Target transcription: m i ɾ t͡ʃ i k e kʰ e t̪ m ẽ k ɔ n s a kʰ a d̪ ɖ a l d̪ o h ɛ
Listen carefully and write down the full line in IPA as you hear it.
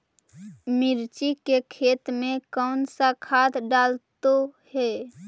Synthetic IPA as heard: m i ɾ t͡ʃ i k e kʰ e t̪ m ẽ k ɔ n s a kʰ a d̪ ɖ a l t̪ o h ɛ